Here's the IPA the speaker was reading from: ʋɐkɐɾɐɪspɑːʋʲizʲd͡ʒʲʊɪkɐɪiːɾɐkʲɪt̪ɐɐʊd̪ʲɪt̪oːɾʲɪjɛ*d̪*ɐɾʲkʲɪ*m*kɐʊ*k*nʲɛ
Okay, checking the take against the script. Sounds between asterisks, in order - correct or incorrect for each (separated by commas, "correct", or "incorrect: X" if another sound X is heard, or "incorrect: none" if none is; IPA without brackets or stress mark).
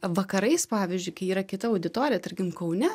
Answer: incorrect: t̪, correct, incorrect: none